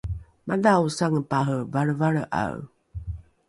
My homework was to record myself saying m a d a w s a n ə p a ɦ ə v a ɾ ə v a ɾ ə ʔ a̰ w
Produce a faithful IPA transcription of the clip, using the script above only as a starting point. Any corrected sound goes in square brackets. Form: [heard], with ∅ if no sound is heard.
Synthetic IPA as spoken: m a d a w s a [ŋ] ə p a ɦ ə v a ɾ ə v a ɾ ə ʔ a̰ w

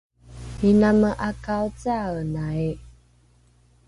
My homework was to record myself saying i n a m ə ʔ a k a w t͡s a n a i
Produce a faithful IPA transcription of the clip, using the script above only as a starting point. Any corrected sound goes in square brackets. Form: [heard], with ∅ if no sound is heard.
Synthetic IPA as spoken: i n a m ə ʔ a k a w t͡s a n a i

